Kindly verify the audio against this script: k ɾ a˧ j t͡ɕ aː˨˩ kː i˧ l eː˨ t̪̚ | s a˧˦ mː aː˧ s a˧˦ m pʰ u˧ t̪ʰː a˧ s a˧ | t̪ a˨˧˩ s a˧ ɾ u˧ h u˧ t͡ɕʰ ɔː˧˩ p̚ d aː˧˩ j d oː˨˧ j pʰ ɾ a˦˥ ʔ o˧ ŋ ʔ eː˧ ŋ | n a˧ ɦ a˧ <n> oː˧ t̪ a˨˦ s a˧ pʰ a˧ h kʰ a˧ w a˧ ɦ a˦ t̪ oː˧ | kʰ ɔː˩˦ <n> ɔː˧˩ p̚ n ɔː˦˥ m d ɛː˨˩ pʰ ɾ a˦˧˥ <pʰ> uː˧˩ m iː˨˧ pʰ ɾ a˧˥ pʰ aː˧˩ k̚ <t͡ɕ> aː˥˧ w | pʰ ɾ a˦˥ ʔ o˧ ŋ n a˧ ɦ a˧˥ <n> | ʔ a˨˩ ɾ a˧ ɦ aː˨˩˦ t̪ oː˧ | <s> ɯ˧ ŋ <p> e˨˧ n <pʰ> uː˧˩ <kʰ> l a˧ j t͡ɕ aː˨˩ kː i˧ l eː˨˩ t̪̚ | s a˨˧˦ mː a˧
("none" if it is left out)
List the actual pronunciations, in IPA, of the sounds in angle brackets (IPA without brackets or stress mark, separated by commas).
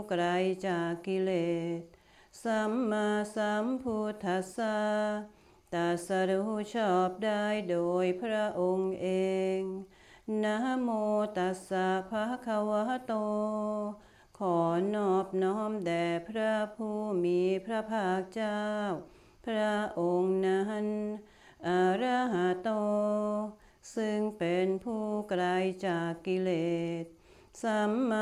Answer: m, n, pʰ, t͡ɕ, n, s, p, pʰ, k